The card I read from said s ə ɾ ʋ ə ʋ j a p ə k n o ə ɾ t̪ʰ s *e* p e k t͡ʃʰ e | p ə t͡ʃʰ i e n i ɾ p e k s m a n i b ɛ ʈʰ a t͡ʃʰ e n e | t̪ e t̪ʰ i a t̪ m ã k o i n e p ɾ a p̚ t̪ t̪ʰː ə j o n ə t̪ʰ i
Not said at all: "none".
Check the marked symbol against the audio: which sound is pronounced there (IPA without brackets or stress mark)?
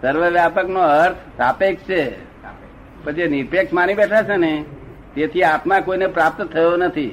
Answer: a